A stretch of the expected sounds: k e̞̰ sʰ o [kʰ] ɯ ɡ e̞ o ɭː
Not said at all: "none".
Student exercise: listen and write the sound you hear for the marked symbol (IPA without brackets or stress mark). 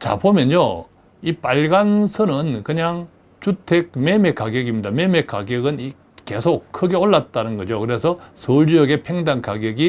kʰ